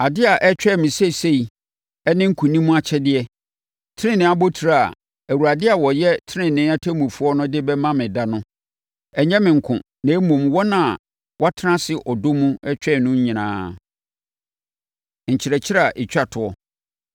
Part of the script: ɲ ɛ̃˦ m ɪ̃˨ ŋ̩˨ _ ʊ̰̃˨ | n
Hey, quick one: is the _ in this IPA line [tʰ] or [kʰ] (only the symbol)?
kʰ